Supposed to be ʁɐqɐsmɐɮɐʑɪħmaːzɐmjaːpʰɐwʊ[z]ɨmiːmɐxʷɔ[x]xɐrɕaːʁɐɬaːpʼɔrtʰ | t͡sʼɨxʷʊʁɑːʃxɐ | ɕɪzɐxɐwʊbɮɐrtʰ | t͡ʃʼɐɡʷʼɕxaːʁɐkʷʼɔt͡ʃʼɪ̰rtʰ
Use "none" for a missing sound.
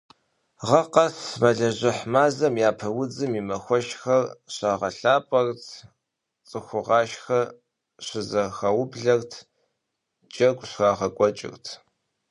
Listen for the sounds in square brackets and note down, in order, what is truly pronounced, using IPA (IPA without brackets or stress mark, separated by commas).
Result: d͡z, ʃ